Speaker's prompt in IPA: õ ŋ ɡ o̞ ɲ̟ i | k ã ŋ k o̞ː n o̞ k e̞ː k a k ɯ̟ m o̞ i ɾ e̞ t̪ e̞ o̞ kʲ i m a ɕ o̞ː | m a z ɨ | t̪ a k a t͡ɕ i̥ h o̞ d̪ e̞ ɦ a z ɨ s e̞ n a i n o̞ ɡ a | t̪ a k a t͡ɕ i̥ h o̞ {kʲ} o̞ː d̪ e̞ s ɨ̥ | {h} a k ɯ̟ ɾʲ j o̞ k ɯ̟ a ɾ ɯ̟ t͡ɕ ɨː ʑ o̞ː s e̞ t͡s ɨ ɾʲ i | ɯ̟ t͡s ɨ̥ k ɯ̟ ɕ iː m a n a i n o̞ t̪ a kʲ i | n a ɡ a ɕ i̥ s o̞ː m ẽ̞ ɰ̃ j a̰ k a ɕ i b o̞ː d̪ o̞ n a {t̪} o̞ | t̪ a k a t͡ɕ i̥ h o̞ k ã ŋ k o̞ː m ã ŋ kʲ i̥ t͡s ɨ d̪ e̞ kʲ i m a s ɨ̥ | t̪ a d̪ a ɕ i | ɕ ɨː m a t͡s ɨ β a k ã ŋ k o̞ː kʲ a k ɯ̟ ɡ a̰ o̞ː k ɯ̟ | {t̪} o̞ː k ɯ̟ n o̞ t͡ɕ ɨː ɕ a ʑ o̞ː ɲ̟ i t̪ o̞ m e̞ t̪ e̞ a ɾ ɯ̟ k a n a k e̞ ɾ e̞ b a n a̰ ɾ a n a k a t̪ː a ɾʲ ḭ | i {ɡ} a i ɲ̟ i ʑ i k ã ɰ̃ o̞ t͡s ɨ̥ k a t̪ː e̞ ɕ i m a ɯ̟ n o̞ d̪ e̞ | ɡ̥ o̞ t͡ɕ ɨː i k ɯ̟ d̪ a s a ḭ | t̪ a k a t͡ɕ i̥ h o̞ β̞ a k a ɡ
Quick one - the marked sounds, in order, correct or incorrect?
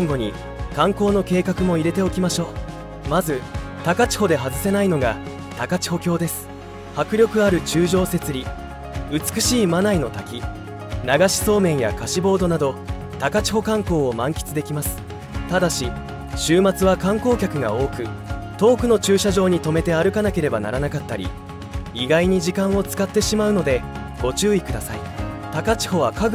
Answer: correct, correct, incorrect: d̪, correct, correct

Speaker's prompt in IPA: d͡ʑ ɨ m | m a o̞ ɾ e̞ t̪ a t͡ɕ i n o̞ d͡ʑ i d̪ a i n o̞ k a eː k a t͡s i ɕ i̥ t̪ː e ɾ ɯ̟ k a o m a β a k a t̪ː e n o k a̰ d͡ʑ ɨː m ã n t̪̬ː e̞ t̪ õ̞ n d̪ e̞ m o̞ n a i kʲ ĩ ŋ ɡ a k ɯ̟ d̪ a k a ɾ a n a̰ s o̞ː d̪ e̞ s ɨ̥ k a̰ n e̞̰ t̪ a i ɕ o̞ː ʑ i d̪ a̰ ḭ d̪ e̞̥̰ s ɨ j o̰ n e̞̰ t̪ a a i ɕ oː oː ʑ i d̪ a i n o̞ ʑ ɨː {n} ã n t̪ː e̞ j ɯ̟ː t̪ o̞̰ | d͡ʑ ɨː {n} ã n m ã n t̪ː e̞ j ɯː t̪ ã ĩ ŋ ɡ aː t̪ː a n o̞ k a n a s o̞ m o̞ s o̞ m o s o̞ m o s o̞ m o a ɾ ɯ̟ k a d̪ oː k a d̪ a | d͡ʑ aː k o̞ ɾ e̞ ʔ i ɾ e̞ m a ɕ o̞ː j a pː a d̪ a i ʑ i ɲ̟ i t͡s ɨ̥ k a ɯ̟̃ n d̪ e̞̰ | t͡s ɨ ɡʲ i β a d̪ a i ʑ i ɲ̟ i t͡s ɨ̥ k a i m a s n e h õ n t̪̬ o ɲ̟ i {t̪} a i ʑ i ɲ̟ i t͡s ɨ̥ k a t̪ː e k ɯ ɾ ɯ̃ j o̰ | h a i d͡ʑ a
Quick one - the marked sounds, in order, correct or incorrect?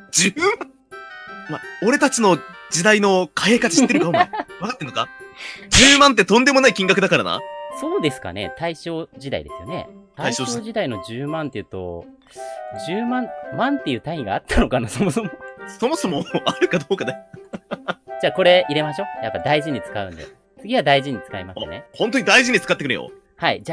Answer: incorrect: m, incorrect: m, incorrect: d̪

